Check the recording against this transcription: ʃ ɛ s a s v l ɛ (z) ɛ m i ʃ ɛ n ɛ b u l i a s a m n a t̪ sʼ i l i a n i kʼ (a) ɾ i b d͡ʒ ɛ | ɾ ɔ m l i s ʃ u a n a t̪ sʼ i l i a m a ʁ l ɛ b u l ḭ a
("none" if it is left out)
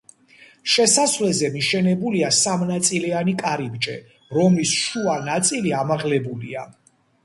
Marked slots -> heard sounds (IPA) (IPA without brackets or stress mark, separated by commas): z, a